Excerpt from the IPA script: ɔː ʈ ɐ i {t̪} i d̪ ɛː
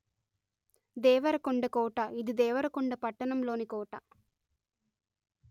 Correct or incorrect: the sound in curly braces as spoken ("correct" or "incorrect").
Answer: incorrect